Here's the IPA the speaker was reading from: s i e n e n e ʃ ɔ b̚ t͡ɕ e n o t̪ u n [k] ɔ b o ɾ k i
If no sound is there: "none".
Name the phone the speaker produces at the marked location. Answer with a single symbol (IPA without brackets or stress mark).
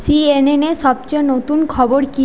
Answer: kʰ